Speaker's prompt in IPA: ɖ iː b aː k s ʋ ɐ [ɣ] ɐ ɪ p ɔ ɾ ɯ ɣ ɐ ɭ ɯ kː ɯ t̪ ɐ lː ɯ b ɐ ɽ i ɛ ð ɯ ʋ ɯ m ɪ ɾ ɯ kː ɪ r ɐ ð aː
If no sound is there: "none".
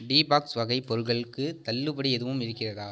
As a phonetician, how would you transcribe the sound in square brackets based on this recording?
ɣ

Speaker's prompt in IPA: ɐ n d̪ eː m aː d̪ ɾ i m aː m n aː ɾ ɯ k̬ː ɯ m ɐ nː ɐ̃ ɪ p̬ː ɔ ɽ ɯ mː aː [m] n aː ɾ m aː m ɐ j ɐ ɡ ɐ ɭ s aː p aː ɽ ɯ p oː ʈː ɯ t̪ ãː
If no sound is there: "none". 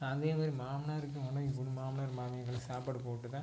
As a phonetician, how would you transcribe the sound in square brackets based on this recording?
m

